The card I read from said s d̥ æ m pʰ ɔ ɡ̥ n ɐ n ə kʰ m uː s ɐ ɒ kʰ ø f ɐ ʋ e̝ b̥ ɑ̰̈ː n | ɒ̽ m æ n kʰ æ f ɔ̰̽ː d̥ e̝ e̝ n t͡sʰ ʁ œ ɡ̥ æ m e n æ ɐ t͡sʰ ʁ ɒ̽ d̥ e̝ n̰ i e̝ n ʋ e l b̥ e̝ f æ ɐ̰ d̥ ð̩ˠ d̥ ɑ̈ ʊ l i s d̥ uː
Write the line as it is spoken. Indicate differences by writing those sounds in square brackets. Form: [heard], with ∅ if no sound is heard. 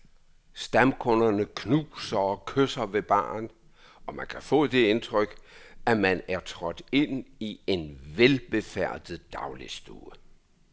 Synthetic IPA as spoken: s d̥ æ m [kʰ] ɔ [∅] n ɐ n ə kʰ [n] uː s ɐ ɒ kʰ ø [s] ɐ ʋ e̝ b̥ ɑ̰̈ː n | ɒ̽ m æ n kʰ æ f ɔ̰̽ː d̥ e̝ e̝ n t͡sʰ ʁ œ ɡ̥ æ m [æ] n æ ɐ t͡sʰ ʁ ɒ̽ d̥ e̝ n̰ i e̝ n ʋ e l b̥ e̝ f æ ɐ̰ d̥ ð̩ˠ d̥ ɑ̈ ʊ l i s d̥ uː